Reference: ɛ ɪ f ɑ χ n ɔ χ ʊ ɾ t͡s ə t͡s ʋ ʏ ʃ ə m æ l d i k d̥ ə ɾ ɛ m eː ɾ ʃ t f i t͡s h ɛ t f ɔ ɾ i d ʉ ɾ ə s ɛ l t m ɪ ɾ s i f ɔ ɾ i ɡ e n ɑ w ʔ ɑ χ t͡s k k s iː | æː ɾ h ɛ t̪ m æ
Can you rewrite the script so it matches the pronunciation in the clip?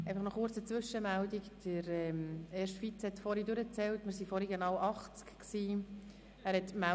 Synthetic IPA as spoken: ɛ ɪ f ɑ χ n ɔ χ ʊ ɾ t͡s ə t͡s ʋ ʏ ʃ ə m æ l d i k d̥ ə ɾ ɛ m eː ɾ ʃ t f i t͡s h ɛ t f ɔ ɾ i d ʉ ɾ ə t͡s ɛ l t m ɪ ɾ s i f ɔ ɾ i ɡ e n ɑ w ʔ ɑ χ t͡s k k s iː | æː ɾ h ɛ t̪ m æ